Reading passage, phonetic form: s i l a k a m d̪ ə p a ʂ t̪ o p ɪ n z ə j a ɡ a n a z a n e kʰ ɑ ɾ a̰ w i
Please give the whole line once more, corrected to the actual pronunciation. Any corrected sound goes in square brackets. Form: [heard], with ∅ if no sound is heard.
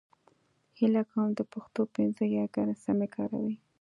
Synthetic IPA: [h] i l a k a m d̪ ə p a [x] t̪ o p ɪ n z ə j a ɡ a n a [s] a [m] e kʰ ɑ ɾ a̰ w i